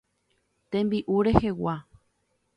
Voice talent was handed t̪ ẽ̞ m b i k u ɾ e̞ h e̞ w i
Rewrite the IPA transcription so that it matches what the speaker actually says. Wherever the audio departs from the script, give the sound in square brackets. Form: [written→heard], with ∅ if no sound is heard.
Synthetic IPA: t̪ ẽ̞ m b i [k→ʔ] u ɾ e̞ h e̞ w [i→a]

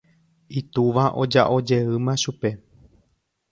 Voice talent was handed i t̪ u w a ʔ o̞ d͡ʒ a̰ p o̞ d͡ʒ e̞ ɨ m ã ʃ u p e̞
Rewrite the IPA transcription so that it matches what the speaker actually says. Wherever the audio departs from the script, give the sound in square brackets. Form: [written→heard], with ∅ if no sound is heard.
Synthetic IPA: i t̪ u [w→ʋ] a ʔ o̞ d͡ʒ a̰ [p→ʔ] o̞ d͡ʒ e̞ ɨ m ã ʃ u p e̞

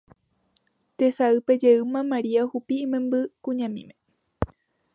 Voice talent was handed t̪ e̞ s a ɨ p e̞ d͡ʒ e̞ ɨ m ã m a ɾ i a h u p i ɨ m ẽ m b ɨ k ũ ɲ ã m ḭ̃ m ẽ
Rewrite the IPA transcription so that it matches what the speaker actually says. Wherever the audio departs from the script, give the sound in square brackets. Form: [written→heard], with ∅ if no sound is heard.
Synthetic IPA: t̪ e̞ s a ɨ p e̞ d͡ʒ e̞ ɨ m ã m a ɾ i a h u p i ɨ m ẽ m b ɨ k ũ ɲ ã m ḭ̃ m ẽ

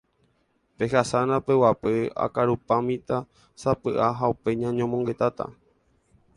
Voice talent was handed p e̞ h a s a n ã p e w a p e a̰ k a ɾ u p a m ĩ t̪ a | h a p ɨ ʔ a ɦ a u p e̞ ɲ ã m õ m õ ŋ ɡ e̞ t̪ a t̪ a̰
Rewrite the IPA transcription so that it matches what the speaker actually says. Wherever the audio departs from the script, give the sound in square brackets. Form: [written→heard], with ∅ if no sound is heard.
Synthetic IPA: p e̞ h a s a n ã p e w a p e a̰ k a ɾ u p a m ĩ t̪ a | [h→s] a p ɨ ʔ a ɦ a u p e̞ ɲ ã [m→ɲ] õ m õ ŋ ɡ e̞ t̪ a t̪ a̰

